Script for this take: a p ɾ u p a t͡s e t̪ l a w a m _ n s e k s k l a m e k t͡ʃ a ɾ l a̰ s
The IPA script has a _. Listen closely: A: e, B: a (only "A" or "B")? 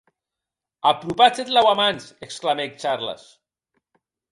B